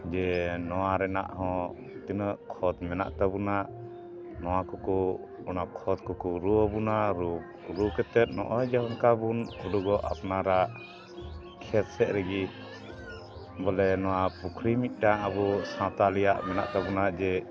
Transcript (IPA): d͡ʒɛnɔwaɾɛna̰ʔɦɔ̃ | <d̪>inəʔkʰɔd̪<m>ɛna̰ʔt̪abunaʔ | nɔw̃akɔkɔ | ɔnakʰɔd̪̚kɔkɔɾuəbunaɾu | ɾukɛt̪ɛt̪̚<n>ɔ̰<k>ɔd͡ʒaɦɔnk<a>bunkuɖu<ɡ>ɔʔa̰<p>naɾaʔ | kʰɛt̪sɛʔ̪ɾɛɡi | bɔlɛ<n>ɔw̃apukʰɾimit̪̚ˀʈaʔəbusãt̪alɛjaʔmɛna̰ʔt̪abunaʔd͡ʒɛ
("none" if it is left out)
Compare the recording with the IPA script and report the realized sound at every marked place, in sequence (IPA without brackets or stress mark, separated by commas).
t̪, m, n, ʔ, a, ɡ, p, n